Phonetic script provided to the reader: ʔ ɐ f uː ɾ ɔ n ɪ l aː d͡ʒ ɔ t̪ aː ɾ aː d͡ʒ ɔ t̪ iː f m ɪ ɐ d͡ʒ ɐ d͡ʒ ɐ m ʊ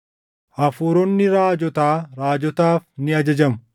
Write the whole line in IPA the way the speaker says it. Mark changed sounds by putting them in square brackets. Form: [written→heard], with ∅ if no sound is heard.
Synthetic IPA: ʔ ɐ f uː ɾ ɔ [n→nː] ɪ [l→ɾ] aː d͡ʒ ɔ t̪ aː ɾ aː d͡ʒ ɔ t̪ [iː→aː] f [m→n] ɪ ɐ d͡ʒ ɐ d͡ʒ ɐ m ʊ